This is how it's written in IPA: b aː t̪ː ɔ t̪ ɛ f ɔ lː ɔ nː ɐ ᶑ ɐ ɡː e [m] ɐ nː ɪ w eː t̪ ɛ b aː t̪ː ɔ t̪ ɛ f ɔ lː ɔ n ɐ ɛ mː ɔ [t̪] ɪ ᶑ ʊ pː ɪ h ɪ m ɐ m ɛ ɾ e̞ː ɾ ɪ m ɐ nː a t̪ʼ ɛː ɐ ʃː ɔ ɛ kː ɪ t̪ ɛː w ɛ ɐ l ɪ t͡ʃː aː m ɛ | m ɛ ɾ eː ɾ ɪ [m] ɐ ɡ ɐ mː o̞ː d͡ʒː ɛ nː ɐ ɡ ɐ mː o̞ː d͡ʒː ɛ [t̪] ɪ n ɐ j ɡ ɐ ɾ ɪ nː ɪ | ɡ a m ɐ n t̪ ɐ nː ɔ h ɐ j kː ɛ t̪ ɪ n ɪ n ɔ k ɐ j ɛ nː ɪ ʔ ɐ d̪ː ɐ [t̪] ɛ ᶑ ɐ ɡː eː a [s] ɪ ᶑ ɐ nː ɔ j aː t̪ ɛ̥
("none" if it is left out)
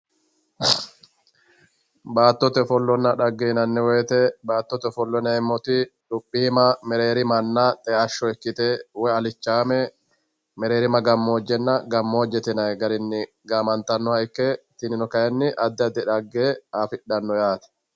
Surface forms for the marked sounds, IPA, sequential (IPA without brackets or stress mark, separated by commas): n, t̪, m, t̪, d̪, f